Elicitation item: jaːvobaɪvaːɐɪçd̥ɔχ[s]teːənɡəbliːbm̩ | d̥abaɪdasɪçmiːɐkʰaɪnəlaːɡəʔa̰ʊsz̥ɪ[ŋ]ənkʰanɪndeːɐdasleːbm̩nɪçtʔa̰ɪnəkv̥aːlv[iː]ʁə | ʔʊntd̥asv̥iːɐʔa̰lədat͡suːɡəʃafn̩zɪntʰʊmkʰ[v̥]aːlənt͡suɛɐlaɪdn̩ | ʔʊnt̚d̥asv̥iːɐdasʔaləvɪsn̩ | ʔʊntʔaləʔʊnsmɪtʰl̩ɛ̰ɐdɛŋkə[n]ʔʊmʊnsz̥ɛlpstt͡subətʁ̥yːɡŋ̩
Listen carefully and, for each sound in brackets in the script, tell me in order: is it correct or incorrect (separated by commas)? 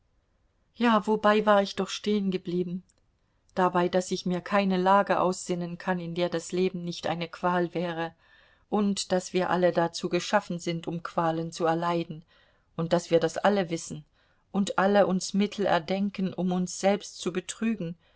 incorrect, incorrect, incorrect, correct, correct